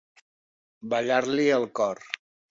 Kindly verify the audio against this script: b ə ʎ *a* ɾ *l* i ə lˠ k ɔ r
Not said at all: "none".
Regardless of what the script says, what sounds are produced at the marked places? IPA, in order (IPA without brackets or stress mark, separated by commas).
a, l